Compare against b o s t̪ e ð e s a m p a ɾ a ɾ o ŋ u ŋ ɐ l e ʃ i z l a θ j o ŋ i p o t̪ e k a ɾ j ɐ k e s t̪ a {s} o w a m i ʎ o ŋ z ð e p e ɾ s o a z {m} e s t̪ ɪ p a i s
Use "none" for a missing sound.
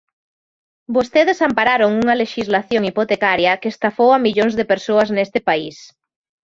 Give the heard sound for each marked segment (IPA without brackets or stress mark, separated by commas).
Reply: f, n